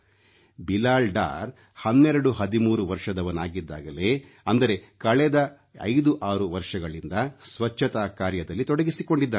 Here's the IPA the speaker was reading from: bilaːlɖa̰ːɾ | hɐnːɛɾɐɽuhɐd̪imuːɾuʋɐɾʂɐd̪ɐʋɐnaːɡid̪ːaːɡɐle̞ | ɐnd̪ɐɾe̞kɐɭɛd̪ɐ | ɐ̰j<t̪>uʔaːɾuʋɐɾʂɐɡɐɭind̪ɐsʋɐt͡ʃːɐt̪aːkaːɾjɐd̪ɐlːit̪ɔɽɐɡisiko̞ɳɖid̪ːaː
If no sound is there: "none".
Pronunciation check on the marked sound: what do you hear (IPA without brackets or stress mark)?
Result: d̪